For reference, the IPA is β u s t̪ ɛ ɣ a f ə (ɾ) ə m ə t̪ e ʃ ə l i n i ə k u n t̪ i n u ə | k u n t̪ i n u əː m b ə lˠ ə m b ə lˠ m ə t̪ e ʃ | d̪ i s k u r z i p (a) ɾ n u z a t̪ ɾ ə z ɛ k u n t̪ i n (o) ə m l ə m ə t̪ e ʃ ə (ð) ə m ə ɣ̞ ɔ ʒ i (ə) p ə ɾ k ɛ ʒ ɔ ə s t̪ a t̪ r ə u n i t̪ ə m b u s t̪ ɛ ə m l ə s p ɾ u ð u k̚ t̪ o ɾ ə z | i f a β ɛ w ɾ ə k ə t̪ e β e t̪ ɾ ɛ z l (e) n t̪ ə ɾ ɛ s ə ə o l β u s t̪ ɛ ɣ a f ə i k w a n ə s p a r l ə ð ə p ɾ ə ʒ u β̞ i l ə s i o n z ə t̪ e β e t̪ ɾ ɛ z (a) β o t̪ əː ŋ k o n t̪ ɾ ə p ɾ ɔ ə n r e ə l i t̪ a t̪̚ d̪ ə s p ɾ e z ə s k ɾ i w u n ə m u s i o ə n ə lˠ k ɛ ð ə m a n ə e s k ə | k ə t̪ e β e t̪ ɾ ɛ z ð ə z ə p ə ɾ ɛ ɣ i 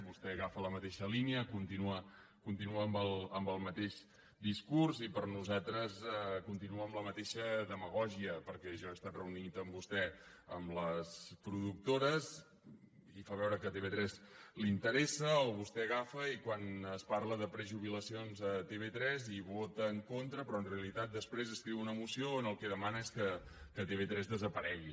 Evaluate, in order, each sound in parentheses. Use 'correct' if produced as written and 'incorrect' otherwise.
incorrect, incorrect, incorrect, correct, correct, incorrect, incorrect

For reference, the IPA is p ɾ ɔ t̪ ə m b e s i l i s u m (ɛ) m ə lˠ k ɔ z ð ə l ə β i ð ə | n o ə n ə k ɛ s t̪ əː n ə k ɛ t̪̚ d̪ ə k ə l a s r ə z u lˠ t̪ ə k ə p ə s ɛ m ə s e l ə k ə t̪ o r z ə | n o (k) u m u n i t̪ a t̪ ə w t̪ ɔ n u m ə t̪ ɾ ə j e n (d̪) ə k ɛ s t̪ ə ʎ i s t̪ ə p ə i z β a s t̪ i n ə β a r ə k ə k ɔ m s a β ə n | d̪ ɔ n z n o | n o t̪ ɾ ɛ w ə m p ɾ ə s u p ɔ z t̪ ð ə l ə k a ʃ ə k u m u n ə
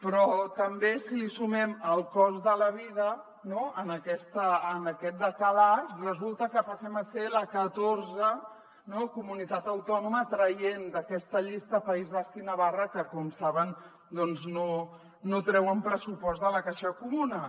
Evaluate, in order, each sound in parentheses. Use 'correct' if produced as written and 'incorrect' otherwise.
correct, correct, correct

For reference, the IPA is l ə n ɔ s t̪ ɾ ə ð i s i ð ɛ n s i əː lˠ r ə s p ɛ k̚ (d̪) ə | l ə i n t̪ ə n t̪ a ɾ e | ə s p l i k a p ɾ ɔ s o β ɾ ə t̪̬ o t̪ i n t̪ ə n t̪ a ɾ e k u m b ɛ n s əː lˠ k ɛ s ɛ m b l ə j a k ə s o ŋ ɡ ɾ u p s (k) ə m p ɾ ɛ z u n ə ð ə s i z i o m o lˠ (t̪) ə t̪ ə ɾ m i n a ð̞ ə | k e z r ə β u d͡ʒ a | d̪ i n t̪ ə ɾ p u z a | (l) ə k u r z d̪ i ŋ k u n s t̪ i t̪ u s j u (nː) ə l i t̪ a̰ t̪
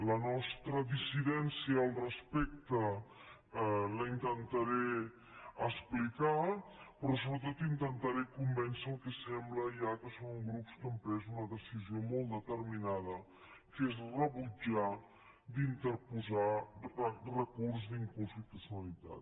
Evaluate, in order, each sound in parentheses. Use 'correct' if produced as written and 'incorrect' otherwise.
incorrect, correct, incorrect, incorrect, incorrect

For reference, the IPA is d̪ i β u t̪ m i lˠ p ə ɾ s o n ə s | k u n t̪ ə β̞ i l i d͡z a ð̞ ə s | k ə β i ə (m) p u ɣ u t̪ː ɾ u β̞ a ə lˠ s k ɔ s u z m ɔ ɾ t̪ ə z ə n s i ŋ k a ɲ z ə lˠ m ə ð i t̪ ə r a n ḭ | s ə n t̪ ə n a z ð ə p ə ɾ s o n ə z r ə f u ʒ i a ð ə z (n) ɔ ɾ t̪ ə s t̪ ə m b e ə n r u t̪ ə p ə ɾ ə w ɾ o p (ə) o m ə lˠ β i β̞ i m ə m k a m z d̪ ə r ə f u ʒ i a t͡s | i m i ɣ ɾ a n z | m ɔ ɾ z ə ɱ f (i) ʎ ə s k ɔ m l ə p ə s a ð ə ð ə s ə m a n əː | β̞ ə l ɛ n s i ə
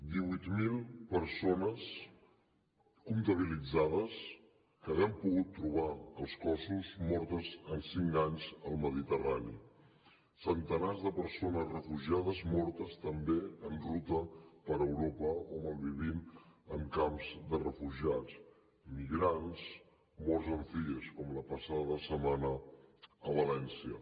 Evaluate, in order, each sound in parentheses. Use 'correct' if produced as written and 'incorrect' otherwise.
correct, incorrect, correct, correct

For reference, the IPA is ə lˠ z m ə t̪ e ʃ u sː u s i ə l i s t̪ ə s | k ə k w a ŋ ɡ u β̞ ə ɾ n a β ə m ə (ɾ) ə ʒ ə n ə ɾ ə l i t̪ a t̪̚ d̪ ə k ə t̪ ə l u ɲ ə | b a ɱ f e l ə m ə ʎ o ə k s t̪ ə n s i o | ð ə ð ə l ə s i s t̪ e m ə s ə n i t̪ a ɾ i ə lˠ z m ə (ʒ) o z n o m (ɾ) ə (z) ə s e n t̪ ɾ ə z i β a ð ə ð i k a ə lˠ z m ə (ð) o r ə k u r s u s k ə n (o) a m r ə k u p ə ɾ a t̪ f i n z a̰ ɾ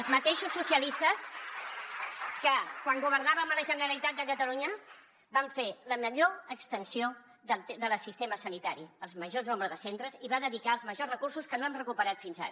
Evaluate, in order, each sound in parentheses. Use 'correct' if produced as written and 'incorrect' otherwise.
incorrect, correct, correct, incorrect, incorrect, correct

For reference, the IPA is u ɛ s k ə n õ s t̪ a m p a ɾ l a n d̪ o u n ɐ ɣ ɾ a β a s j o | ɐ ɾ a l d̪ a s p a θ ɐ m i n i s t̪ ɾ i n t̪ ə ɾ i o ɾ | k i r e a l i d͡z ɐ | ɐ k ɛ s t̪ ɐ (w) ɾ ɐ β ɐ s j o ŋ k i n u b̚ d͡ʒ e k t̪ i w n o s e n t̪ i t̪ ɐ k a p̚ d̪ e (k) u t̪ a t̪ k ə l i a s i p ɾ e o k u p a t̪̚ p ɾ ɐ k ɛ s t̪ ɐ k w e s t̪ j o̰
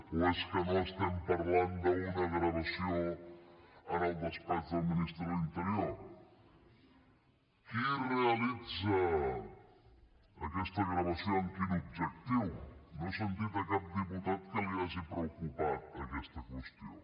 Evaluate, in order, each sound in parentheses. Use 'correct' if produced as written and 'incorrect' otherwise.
incorrect, incorrect

